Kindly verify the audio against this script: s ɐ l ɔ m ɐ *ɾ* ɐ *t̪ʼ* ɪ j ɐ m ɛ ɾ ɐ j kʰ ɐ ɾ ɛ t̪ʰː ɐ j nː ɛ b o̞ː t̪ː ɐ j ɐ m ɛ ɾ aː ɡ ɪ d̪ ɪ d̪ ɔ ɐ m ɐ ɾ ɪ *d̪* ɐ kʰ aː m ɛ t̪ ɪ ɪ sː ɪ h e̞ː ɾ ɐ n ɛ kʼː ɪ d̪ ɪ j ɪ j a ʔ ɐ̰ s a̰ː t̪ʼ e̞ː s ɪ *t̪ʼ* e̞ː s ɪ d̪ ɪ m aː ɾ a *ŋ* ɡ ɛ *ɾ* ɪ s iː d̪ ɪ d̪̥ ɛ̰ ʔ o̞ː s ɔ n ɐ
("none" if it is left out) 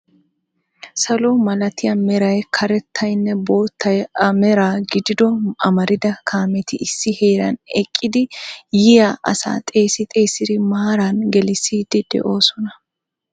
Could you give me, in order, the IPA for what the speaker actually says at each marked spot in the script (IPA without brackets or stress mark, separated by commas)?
l, t̪, d̪, t̪ʼ, n, l